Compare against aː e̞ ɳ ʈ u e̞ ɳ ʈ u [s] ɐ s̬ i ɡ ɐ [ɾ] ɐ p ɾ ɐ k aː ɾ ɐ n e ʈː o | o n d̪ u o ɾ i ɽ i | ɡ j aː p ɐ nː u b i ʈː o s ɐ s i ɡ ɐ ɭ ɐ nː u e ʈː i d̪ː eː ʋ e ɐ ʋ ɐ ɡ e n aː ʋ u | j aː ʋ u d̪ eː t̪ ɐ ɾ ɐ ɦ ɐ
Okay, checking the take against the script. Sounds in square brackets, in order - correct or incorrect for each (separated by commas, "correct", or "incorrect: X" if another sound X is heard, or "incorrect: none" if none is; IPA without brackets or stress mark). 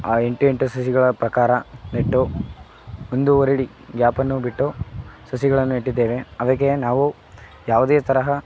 correct, incorrect: ɭ